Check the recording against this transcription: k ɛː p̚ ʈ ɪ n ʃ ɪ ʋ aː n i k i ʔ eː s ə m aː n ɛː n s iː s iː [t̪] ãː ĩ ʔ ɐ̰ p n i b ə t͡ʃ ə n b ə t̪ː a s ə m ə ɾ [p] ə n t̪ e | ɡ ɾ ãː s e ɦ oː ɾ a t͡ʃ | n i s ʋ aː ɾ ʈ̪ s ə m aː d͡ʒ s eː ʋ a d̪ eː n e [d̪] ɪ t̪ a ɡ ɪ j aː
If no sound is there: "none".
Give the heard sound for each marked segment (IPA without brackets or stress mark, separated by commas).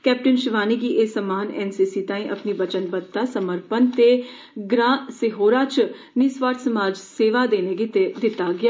t̪, p, d̪